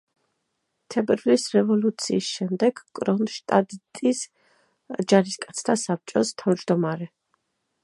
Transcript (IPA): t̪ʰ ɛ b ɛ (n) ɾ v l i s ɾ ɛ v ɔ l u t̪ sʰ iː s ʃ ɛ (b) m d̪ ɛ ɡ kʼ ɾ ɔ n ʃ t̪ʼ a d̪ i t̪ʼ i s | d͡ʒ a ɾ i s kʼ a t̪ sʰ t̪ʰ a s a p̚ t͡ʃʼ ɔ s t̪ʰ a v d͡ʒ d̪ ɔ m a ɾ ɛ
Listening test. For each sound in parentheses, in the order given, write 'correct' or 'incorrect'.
incorrect, incorrect

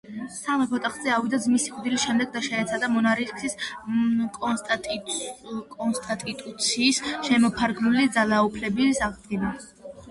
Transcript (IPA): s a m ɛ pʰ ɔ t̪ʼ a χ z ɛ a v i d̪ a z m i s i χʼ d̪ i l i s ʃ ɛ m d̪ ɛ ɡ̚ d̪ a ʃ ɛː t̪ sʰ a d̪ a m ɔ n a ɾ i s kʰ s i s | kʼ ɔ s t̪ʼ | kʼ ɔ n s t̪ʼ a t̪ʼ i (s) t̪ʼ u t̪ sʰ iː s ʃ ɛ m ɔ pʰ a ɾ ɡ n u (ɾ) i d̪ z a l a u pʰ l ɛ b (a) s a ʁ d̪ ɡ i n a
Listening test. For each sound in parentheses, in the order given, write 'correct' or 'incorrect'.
incorrect, incorrect, incorrect

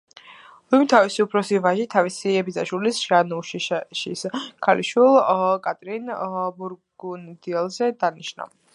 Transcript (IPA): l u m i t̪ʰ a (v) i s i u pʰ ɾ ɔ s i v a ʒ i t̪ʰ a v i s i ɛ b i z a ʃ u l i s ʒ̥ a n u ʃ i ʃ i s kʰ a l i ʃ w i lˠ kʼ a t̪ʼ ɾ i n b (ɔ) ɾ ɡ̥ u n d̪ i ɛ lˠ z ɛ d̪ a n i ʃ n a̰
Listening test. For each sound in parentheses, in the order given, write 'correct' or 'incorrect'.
correct, incorrect

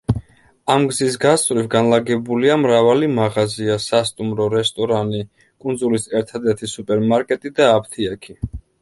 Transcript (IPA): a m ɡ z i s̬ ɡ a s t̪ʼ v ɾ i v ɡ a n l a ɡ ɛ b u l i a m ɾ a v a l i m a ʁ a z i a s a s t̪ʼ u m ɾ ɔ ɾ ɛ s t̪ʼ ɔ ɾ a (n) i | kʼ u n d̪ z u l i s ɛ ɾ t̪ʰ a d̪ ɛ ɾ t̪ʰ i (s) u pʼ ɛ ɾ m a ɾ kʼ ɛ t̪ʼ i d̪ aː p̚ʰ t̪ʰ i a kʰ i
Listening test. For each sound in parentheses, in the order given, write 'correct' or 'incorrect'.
correct, correct

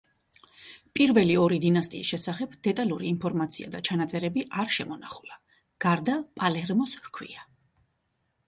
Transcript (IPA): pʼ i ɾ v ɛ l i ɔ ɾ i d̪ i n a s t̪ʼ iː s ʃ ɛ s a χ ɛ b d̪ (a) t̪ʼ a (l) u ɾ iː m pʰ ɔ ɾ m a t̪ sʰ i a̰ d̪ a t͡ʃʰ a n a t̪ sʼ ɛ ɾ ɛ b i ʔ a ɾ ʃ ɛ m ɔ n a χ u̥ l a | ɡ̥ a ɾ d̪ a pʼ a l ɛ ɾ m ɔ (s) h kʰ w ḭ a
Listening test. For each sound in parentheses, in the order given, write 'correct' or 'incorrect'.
incorrect, correct, correct

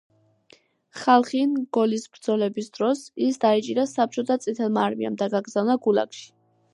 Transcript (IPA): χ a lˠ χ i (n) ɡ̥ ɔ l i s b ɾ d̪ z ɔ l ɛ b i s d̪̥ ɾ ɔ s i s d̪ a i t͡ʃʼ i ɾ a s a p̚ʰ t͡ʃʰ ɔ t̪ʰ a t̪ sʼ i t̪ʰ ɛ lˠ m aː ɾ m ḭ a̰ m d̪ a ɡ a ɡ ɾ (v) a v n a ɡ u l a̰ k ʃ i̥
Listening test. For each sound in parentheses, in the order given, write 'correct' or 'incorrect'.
correct, incorrect

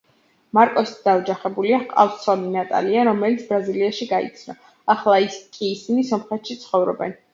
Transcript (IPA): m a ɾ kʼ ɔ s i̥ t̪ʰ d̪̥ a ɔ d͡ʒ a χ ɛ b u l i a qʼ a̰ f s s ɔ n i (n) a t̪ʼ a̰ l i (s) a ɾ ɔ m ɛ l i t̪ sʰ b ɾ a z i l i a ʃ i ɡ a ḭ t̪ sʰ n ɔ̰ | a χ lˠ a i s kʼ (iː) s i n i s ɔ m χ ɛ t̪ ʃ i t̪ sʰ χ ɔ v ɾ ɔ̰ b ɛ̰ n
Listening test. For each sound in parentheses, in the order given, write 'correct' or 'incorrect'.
correct, incorrect, correct

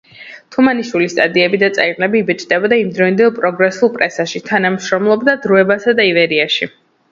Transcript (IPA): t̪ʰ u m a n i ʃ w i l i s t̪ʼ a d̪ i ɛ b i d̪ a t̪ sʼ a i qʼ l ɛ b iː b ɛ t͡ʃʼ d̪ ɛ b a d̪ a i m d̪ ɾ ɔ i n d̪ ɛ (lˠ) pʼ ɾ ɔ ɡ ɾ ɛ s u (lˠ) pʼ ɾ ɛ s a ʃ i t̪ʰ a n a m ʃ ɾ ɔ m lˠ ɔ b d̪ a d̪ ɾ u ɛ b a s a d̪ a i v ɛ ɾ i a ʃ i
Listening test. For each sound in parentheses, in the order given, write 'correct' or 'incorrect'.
correct, correct

